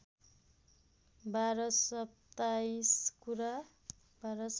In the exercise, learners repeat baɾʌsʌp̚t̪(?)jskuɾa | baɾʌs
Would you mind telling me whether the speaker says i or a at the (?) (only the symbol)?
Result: a